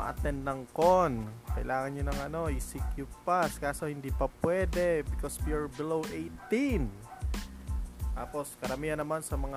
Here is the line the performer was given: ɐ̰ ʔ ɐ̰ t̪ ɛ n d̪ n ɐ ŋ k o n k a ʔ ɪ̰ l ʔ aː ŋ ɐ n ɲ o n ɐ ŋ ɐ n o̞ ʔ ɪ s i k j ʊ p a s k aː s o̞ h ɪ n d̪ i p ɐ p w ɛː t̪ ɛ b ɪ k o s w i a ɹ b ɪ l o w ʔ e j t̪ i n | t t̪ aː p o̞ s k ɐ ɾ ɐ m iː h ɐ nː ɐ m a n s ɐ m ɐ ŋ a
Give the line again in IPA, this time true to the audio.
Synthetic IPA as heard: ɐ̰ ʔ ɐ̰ t̪ ɛ n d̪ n ɐ ŋ k o n k ɐ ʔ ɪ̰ l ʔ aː ŋ ɐ n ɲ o n ɐ ŋ ɐ n o̞ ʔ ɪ s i k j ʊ p a s k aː s o̞ h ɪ n d̪ i p ɐ p w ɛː d̪ ɛ b ɪ k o s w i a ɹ b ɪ l o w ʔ e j t̪ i n | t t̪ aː p o̞ s k ɐ ɾ ɐ m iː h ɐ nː ɐ m a n s ɐ m ɐ ŋ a